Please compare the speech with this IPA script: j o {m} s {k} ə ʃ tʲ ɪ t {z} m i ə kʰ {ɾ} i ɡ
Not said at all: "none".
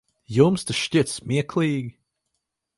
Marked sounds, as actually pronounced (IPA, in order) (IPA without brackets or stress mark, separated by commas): m, t, s, l